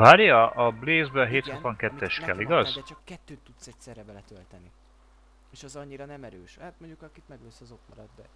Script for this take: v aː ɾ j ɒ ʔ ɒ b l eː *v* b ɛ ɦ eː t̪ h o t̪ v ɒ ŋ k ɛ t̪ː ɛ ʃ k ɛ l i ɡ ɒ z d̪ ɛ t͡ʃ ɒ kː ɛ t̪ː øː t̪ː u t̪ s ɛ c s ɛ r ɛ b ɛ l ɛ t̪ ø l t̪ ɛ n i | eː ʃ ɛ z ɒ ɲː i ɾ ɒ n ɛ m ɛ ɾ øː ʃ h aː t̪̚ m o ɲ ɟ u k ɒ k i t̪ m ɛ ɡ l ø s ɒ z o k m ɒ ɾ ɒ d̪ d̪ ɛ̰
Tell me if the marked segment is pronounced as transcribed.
no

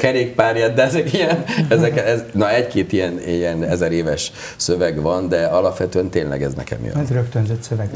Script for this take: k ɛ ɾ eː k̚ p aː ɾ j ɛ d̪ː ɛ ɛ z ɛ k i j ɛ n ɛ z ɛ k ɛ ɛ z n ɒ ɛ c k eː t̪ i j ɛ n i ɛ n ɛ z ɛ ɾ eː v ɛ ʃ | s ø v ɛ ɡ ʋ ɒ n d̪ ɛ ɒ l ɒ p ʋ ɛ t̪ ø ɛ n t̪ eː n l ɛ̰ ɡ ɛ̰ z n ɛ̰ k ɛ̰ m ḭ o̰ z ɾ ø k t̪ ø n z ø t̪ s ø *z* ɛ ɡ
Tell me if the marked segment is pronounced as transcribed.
no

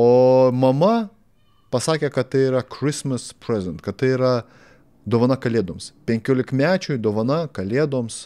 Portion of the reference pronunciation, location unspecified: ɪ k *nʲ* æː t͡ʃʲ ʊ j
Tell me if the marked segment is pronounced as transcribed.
no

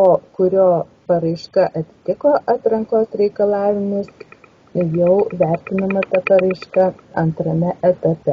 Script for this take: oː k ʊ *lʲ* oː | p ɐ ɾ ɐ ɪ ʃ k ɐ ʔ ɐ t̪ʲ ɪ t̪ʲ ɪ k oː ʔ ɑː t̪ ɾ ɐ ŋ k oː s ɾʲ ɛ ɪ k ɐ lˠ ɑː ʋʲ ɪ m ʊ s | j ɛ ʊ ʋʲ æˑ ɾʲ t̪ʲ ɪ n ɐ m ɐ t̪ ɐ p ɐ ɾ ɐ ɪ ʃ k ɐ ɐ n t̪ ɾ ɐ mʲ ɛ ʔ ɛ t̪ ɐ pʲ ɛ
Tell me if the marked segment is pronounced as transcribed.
no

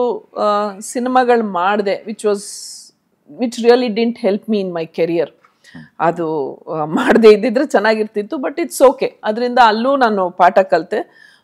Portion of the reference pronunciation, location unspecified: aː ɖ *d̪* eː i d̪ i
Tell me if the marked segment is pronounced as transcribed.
yes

